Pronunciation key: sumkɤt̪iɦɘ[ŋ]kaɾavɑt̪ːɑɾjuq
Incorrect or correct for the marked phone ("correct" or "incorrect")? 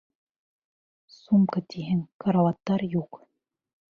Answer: correct